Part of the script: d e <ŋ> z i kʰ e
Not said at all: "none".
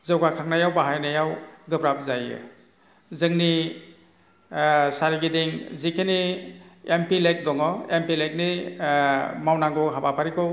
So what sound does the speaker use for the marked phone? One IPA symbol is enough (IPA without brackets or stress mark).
ŋ